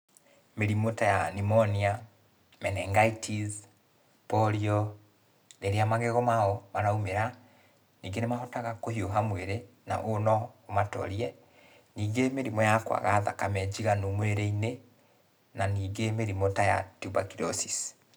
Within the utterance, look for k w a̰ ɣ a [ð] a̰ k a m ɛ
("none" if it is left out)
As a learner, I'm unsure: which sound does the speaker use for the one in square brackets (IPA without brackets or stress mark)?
ð